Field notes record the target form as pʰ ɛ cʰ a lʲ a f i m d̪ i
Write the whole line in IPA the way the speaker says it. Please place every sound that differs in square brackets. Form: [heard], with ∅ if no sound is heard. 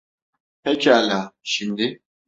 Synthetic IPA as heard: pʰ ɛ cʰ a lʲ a [ʃ] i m d̪ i